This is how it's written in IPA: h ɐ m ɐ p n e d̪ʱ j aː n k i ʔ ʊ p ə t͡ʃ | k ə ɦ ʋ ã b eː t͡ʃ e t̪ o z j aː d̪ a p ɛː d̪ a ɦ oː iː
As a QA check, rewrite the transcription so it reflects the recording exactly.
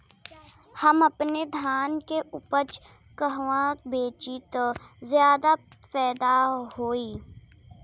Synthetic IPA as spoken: h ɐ m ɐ p n e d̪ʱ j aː n k e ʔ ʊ p ə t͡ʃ | k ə ɦ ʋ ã b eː t͡ʃ i t̪ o z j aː d̪ a p ɛː d̪ a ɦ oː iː